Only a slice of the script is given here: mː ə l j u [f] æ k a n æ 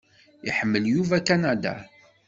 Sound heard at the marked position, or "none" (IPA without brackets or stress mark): v